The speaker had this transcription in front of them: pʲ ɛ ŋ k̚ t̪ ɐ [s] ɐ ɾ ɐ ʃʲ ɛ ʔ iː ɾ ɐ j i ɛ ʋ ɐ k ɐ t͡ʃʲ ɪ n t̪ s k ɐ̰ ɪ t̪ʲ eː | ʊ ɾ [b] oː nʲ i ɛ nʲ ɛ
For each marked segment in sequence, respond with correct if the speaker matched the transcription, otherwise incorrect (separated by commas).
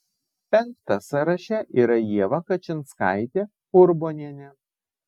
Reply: correct, correct